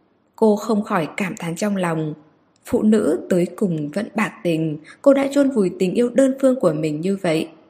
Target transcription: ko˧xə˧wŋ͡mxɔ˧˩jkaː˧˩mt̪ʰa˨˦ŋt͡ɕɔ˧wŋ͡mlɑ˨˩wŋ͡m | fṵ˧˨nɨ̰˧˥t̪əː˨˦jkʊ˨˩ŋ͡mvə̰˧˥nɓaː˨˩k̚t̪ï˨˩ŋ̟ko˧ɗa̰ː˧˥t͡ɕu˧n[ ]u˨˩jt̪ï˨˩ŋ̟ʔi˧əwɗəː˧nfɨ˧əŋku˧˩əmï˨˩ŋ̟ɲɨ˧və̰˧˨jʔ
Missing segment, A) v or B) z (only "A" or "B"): A